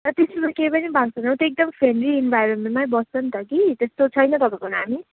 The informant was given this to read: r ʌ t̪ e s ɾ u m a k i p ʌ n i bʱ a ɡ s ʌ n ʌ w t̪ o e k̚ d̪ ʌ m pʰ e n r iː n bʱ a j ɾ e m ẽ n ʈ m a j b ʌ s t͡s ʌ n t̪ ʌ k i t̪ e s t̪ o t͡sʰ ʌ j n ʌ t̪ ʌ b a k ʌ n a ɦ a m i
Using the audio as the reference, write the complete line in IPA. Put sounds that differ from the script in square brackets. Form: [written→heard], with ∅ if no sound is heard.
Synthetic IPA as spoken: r ʌ t̪ e s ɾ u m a k [i→e] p ʌ n i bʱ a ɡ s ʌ n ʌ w t̪ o e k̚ d̪ ʌ m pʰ e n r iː n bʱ a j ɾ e m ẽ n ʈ m a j b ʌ s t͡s ʌ n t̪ ʌ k i t̪ e s t̪ o t͡sʰ ʌ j n ʌ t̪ ʌ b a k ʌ n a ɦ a m i